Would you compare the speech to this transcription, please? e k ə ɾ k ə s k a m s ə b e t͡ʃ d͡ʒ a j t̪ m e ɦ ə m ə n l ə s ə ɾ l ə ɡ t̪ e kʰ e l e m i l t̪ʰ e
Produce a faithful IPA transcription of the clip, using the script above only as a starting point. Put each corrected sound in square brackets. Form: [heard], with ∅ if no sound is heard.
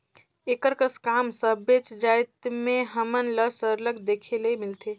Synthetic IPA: e k ə ɾ k ə s k a m s ə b e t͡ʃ d͡ʒ a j t̪ m e ɦ ə m ə n l ə s ə ɾ l ə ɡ [d̪] e kʰ e l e m i l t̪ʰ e

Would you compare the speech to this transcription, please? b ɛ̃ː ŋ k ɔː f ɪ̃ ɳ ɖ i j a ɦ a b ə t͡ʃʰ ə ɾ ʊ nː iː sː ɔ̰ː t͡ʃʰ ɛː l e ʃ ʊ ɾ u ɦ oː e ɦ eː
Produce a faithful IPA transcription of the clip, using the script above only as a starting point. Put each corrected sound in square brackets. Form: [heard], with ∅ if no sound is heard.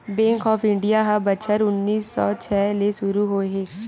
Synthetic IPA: b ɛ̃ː ŋ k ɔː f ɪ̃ ɳ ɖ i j a ɦ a b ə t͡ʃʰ ə ɾ ʊ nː iː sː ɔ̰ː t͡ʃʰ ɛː l e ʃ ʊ ɾ u ɦ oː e ɦ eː

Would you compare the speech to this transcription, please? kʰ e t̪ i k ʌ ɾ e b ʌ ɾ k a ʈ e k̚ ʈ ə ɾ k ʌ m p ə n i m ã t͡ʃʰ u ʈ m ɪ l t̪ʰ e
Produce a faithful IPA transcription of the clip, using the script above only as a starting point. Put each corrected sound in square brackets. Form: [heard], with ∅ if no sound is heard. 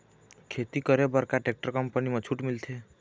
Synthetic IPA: kʰ e t̪ i k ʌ ɾ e b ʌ ɾ k a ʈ e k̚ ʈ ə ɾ k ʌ m p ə n i m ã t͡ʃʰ u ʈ m [i] l t̪ʰ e

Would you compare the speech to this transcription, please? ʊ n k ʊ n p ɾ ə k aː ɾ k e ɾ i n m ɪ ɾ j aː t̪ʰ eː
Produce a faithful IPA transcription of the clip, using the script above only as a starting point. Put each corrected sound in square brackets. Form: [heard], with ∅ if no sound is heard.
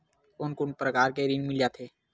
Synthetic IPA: ʊ n k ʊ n p ɾ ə k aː ɾ k e ɾ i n m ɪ [l] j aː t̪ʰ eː

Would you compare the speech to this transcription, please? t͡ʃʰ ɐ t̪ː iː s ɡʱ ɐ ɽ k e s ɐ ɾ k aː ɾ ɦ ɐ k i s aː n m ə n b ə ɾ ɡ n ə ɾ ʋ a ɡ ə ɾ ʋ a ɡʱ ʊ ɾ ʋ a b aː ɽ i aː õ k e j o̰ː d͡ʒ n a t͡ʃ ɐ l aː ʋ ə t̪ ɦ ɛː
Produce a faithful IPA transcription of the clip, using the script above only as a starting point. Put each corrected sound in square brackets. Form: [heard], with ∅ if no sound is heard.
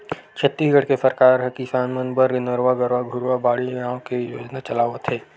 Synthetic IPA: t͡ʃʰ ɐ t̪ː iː s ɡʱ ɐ ɽ k e s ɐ ɾ k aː ɾ ɦ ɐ k i s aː n m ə n b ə ɾ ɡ n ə ɾ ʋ a ɡ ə ɾ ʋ a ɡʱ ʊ ɾ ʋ a b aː ɽ i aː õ k e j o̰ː d͡ʒ n a t͡ʃ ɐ l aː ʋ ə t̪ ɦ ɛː

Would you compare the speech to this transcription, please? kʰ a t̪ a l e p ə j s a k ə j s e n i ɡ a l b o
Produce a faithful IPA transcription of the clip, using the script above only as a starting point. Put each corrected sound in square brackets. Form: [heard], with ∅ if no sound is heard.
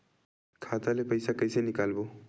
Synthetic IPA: kʰ a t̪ a l e p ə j s a k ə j s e n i [k] a l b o

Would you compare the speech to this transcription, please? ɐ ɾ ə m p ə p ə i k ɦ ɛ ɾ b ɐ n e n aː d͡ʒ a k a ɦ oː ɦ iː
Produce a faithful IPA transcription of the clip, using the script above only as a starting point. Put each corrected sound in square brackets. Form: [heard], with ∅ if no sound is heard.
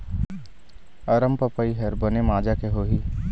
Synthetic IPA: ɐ ɾ ə m p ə p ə i [∅] ɦ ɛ ɾ b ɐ n e [m] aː d͡ʒ a k [e] ɦ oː ɦ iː

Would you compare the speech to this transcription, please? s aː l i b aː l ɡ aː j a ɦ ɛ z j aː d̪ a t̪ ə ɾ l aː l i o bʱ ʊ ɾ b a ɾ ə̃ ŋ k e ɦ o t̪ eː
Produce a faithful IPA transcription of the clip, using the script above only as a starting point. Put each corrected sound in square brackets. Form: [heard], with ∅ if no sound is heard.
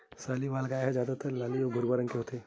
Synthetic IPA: s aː l i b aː l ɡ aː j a ɦ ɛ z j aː d̪ a t̪ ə ɾ l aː l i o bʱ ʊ ɾ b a ɾ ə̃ ŋ k e ɦ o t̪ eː

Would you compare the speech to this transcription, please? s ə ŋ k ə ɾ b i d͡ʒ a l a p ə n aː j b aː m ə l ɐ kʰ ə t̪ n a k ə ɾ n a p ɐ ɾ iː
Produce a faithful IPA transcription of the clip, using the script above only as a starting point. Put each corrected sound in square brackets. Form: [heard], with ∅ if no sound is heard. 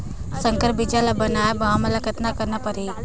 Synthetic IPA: s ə ŋ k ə ɾ b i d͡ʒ a l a [b] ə n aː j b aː m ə l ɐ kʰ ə t̪ n a k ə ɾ n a p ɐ ɾ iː

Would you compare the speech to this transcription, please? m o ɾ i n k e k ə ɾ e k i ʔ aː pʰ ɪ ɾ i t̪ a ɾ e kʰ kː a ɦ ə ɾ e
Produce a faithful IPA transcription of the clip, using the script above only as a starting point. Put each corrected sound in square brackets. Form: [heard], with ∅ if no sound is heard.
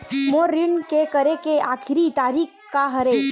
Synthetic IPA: m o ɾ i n k e k ə ɾ e k [e] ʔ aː [kʰ] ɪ ɾ i t̪ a ɾ [i] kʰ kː a ɦ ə ɾ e

